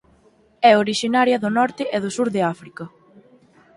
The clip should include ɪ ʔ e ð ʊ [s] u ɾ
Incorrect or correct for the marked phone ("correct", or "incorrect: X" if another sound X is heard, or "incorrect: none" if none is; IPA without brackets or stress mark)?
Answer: correct